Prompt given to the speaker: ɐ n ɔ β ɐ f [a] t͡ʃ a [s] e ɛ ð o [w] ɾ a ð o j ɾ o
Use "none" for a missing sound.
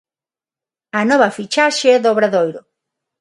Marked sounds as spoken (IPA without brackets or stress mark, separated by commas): i, ʃ, β